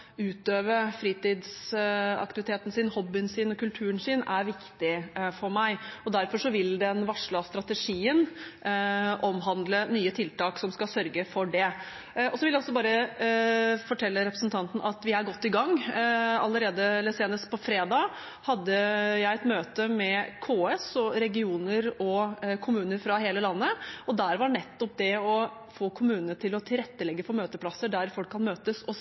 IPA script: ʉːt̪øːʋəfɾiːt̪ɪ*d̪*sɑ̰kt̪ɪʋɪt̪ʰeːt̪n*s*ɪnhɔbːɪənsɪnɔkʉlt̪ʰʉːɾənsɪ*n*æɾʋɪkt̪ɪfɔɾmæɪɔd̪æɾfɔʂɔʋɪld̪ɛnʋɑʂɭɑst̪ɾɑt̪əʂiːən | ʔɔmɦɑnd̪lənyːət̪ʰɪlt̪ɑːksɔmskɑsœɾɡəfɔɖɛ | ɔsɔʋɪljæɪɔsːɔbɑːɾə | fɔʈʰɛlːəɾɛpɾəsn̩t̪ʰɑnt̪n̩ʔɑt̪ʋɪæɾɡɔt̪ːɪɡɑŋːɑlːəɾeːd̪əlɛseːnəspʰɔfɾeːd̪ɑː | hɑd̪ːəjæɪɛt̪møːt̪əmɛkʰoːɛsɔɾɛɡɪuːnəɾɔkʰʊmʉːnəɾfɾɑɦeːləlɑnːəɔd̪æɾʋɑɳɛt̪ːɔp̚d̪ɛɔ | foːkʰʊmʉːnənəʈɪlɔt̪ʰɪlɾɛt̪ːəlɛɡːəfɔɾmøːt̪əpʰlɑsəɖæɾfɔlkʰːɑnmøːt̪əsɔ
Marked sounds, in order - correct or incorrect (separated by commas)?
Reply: correct, correct, correct